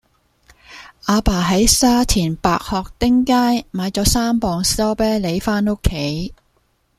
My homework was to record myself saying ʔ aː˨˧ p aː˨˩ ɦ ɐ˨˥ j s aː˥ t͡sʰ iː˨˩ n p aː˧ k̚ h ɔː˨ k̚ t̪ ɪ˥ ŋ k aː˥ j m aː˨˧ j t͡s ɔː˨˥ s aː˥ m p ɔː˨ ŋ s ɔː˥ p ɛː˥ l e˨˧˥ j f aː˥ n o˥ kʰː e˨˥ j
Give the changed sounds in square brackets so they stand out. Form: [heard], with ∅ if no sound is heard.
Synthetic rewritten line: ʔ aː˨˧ p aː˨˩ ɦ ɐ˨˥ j s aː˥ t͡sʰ iː˨˩ n p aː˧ k̚ h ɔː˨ k̚ t̪ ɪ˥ ŋ k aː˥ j m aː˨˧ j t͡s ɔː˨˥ s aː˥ m p ɔː˨ ŋ s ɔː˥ p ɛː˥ l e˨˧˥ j f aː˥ n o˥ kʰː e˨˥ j